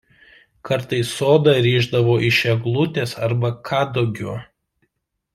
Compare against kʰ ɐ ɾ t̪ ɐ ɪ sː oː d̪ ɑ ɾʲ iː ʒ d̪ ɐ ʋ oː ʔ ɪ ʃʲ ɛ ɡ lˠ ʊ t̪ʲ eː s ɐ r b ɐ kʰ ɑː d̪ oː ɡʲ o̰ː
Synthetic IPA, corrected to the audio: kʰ ɐ ɾ t̪ ɐ ɪ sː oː d̪ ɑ ɾʲ iː ʒ d̪ ɐ ʋ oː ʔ ɪ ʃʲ ɛ ɡ lˠ ʊ t̪ʲ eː s ɐ ɾ b ɐ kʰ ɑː d̪ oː ɡʲ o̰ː